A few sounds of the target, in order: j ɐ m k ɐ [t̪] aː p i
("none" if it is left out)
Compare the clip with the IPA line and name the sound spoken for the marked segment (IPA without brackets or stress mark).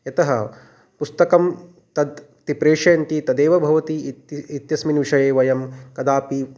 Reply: d̪